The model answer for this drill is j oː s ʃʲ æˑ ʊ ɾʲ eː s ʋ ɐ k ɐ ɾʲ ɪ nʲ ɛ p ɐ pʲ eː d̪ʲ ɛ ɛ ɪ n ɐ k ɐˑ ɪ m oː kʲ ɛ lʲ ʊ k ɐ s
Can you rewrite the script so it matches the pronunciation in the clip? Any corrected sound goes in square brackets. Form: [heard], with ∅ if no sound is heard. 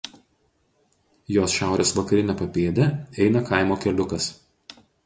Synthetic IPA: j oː s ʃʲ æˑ ʊ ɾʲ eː s ʋ ɐ k ɐ ɾʲ ɪ nʲ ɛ p ɐ pʲ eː d̪ʲ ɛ ɛ ɪ n ɐ k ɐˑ ɪ m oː kʲ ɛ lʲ ʊ k ɐ s